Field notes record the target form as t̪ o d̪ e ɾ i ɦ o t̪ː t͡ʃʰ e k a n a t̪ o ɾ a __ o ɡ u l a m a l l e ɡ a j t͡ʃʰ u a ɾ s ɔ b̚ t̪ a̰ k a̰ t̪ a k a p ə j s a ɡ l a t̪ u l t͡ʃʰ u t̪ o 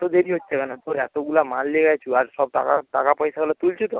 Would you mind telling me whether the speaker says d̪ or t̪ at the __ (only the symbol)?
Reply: t̪